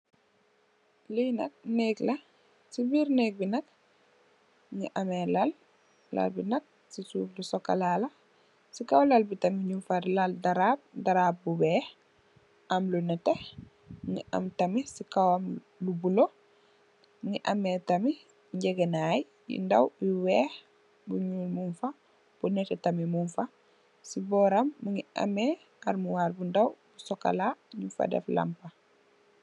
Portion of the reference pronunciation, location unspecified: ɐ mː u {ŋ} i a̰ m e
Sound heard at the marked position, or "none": ŋ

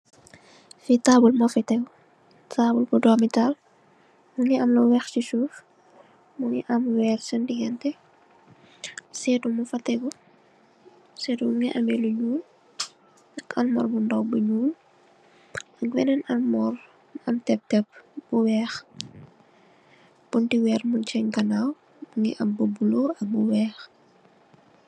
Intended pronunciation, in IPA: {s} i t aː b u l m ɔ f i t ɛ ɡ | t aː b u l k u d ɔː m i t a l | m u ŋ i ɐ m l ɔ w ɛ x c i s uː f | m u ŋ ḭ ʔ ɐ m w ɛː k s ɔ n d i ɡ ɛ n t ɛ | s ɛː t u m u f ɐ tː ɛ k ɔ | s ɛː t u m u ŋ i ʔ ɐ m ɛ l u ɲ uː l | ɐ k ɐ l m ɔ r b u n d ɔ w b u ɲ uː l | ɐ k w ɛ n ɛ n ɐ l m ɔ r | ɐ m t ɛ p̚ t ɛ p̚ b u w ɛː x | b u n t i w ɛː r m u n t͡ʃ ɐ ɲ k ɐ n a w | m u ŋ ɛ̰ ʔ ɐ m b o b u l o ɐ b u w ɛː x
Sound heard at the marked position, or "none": f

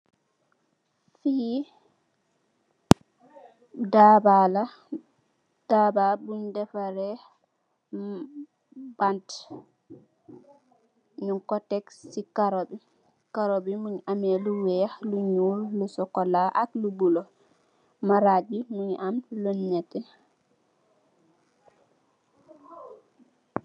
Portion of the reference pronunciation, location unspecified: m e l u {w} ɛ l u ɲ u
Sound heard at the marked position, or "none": w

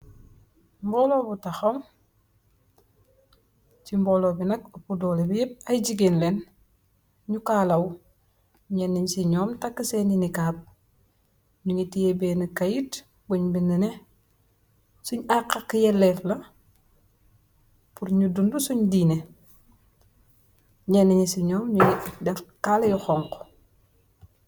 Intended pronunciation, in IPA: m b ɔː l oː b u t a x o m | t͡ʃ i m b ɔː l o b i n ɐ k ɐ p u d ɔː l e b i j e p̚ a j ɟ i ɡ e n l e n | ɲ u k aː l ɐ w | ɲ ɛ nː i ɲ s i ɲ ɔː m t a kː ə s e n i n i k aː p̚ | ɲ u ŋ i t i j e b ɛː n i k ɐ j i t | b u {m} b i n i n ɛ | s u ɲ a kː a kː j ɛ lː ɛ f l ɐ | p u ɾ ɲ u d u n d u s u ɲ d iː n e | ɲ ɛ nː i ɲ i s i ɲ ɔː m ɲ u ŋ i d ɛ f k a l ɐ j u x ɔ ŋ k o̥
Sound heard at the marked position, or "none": ɲ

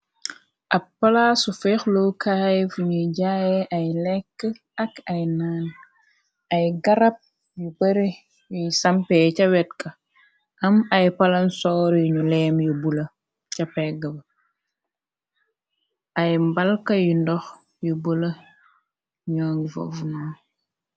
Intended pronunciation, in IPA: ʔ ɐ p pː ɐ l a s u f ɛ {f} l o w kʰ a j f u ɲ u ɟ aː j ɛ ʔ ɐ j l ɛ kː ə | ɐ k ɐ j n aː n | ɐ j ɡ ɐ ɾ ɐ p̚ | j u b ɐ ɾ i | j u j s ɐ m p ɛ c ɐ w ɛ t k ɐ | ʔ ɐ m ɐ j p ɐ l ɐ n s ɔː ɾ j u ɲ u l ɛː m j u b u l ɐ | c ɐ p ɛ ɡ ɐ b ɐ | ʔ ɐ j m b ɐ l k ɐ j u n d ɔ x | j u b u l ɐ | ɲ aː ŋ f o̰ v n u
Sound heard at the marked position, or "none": x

